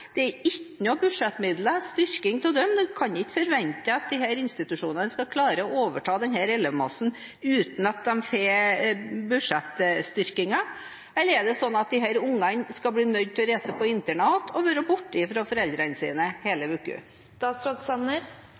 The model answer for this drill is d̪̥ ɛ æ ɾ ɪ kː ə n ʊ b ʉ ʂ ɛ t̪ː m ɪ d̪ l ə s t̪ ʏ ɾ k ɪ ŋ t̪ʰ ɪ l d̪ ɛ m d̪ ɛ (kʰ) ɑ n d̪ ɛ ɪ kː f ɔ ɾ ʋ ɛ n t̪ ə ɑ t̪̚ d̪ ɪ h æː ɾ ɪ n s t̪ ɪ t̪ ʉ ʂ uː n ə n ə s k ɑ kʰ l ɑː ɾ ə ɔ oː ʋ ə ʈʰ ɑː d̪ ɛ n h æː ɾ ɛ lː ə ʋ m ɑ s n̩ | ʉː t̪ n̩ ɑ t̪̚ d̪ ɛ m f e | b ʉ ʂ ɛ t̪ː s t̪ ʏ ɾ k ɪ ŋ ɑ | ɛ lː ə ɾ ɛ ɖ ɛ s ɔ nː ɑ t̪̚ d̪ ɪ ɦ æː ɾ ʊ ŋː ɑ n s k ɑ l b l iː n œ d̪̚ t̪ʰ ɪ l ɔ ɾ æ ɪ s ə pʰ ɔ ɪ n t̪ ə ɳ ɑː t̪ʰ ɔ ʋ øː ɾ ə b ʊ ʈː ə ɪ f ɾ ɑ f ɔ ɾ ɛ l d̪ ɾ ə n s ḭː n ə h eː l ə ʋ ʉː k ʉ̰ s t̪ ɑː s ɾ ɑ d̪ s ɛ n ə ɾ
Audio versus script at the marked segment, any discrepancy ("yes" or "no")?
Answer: no